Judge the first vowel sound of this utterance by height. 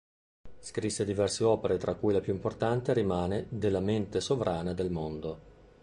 high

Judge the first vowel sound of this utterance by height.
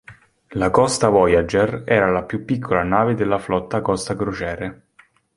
low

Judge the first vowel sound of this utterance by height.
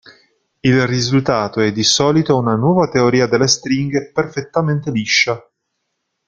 high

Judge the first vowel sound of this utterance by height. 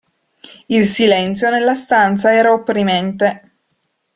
high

